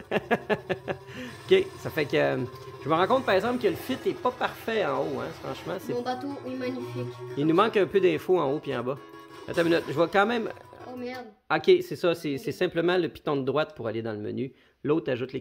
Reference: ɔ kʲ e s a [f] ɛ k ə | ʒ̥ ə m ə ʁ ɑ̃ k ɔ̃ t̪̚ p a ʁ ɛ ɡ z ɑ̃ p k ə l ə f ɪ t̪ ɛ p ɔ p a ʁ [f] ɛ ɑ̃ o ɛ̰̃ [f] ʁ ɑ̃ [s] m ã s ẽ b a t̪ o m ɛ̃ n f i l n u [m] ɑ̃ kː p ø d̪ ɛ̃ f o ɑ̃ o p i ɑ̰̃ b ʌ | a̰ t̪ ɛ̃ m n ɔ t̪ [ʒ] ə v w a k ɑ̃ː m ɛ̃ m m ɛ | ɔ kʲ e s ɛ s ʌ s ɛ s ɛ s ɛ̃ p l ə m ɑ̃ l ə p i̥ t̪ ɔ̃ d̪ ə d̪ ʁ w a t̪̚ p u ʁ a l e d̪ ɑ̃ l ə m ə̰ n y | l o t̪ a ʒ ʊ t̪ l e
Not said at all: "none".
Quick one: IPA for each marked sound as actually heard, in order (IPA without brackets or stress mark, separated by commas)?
f, f, f, ʃ, m, ʒ